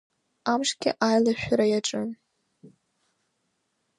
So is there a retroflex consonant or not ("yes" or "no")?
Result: yes